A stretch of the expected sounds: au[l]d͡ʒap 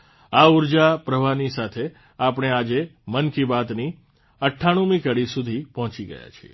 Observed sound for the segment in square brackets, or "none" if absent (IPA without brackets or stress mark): ɾ